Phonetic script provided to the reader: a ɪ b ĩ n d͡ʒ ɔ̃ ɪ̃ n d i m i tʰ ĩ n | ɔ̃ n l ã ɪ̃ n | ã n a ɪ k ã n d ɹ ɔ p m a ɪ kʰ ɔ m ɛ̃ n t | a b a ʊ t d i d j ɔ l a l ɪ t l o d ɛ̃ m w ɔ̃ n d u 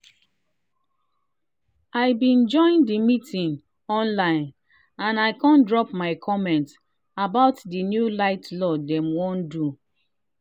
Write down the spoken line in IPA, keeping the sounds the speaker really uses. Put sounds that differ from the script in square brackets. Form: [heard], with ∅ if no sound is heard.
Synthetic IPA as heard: a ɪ b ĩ n d͡ʒ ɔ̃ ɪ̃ n d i m i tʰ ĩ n | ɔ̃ n l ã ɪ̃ n | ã n a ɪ k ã n d ɹ ɔ p m a ɪ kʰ ɔ m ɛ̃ n t | a b a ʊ t d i [n] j [u] l a [∅] ɪ t l [ɔ] d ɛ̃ m w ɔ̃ n d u